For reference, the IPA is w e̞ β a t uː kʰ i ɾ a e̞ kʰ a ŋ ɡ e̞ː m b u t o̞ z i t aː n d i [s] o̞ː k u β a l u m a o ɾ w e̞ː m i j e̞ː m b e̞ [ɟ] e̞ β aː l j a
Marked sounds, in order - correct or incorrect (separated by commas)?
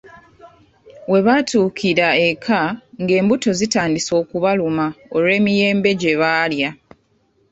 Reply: correct, correct